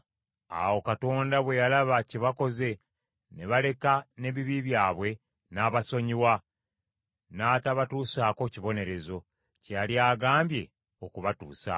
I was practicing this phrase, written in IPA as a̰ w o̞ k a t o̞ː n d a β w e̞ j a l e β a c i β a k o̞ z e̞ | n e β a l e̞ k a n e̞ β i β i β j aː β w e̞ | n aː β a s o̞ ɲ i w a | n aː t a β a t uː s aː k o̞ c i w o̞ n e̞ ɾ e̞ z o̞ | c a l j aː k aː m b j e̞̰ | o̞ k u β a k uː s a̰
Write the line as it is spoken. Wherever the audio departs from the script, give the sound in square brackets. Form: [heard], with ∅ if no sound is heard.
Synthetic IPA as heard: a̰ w o̞ k a t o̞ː n d a β w e̞ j a l [a] β a c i β a k o̞ z e̞ | n e β a l e̞ k a n e̞ β i β i β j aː β w e̞ | n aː β a s o̞ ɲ i w a | n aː t a β a t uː s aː k o̞ c i [β] o̞ n e̞ ɾ e̞ z o̞ | c a l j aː [ɡ] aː m b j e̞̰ | o̞ k u β a [t] uː s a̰

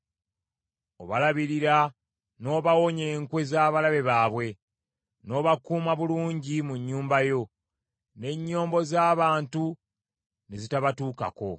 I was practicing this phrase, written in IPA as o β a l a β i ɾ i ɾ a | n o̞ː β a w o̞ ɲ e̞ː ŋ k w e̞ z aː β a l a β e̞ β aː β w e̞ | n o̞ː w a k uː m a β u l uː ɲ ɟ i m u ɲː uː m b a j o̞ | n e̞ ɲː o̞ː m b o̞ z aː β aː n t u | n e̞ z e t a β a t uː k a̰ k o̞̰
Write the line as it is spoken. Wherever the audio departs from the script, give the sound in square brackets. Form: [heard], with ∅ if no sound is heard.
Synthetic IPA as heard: o β a l a β i ɾ i ɾ a | n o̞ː β a w o̞ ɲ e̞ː ŋ k w e̞ z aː β a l a β e̞ β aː β w e̞ | n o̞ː [β] a k uː m a β u l uː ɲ ɟ i m u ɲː uː m b a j o̞ | n e̞ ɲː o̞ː m b o̞ z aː β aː n t u | n e̞ z [i] t a β a t uː k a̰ k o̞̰

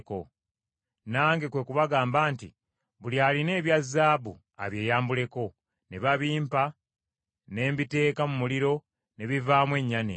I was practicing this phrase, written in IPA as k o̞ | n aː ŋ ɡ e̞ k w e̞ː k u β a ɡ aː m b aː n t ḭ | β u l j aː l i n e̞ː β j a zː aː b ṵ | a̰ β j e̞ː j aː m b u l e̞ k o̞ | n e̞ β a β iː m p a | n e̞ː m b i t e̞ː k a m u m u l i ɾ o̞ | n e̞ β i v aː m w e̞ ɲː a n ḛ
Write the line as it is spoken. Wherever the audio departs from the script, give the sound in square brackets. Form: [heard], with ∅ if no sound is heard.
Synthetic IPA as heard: k o̞ | n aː ŋ ɡ e̞ k w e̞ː k u β a ɡ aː m b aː n t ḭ | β u l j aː l i n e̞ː β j a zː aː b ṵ | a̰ β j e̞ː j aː m b u l e̞ k o̞ | n e̞ β a β iː m p a | n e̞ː m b i t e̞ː k a m u m u l i ɾ o̞ | n e̞ β i v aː m w e̞ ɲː a n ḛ

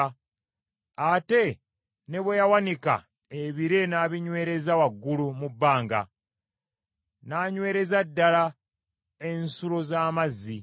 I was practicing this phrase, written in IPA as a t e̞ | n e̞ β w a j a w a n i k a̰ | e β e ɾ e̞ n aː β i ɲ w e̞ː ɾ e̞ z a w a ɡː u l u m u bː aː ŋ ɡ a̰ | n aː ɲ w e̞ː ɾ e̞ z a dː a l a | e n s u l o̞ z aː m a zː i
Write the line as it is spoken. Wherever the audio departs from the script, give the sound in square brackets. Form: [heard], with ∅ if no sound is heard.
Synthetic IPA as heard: a t e̞ | n e̞ β w [e] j a w a n i k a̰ | e β [i] ɾ e̞ n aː β i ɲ w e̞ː ɾ e̞ z a w a ɡː u l u m u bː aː ŋ ɡ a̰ | n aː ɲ w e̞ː ɾ e̞ z a dː a l a | e n s u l o̞ z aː m a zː i

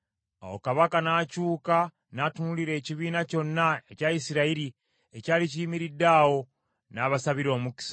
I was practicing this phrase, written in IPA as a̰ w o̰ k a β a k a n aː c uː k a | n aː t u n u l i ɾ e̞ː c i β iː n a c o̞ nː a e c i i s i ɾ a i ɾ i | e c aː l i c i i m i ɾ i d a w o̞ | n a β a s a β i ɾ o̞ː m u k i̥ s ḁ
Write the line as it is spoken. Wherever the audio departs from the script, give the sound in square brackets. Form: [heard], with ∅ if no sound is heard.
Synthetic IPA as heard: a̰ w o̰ k a β a k a n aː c uː k a | n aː t u n u l i ɾ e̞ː c i β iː n a c o̞ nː a e c [a] i s i ɾ a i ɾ i | e c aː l i c i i m i ɾ i d a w o̞ | n a β a s a β i ɾ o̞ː m u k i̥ s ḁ

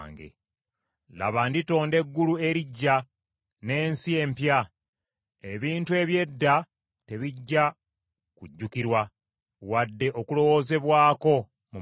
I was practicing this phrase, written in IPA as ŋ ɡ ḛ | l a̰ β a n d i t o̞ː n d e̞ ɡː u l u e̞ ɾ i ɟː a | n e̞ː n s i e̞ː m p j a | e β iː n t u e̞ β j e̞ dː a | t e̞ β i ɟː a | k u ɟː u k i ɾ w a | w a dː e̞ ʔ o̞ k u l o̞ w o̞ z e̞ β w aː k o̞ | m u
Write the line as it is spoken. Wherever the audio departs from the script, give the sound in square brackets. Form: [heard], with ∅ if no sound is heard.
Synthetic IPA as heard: ŋ ɡ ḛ | l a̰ β a n d i t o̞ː n d e̞ ɡː u l u e̞ ɾ i ɟː a | n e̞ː n s i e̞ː m p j a | e β iː n t u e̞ β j e̞ dː a | t e̞ β i ɟː a | k u ɟː u k i ɾ w a | w a dː e̞ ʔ o̞ k u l o̞ w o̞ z e̞ β w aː k o̞ | m u

